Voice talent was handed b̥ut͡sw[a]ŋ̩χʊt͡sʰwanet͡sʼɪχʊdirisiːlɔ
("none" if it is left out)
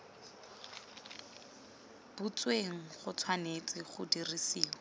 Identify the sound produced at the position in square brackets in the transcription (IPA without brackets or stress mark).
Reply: e